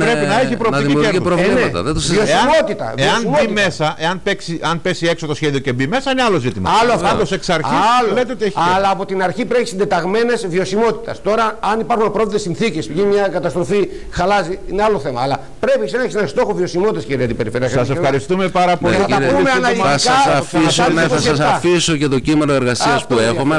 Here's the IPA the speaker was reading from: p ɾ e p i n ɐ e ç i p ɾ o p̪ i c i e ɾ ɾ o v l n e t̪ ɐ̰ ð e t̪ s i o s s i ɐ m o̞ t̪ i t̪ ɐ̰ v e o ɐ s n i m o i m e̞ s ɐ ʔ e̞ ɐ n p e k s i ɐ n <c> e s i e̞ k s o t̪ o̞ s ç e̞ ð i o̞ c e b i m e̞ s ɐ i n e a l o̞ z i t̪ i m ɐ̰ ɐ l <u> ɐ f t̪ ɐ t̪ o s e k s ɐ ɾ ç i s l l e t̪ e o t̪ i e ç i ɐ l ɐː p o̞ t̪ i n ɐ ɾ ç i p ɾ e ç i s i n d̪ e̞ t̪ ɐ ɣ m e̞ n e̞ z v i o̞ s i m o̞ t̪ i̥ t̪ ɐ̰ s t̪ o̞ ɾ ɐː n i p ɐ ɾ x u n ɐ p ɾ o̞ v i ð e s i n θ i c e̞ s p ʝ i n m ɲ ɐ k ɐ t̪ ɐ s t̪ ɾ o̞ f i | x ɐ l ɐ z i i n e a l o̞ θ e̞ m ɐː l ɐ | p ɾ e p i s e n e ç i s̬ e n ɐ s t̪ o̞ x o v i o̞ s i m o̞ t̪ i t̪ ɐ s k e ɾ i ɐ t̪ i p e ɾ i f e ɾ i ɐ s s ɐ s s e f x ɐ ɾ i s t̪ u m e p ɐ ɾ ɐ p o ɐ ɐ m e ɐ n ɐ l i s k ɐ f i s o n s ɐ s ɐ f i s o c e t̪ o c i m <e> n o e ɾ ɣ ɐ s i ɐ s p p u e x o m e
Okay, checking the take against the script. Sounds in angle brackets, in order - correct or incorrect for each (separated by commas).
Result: incorrect, incorrect, correct